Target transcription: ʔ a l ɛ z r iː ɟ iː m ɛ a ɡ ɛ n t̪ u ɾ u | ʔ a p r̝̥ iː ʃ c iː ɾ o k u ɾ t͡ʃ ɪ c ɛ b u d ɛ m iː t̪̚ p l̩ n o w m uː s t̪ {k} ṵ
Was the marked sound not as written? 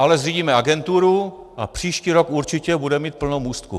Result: no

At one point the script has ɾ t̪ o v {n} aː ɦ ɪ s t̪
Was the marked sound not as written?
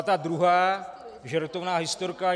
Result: no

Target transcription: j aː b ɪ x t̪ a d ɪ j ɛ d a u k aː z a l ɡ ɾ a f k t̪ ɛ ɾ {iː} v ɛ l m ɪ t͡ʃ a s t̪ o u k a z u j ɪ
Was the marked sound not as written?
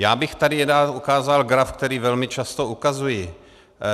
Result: no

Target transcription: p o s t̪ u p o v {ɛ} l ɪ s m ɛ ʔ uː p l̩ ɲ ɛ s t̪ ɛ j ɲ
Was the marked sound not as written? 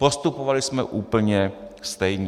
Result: yes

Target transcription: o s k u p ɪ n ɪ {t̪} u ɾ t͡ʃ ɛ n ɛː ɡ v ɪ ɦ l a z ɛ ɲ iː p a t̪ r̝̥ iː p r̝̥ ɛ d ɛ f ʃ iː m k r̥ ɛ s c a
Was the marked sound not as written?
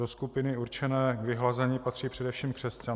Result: yes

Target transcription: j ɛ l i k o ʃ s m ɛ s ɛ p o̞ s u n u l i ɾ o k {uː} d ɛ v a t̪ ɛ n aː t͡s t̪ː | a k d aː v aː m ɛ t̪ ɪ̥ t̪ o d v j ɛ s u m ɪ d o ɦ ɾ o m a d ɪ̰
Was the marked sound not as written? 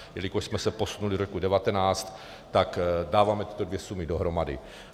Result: yes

